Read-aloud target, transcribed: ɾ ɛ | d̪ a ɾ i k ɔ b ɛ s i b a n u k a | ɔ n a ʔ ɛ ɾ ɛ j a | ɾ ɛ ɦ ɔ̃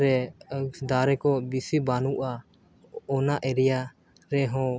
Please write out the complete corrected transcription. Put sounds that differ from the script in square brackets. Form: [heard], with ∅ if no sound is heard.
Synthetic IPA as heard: ɾ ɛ | d̪ a ɾ [ɛ] k ɔ b [i] s i b a n u [ʔ] a | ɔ n a ʔ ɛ ɾ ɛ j a | ɾ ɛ ɦ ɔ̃